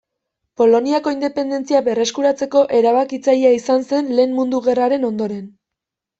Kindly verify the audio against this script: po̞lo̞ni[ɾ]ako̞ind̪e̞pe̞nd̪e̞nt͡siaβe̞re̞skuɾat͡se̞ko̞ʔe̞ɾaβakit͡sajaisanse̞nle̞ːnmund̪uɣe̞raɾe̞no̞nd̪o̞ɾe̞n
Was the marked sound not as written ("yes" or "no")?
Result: yes